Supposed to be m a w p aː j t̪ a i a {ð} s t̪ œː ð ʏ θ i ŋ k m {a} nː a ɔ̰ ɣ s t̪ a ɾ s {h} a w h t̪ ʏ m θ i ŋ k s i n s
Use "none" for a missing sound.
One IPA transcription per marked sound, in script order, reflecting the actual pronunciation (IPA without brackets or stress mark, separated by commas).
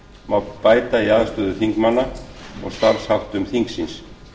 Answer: ð, a, h